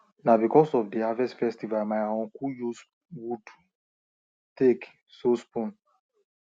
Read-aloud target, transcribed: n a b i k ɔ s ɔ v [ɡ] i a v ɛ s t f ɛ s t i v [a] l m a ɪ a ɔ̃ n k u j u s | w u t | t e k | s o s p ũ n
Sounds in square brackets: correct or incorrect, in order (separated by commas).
incorrect, correct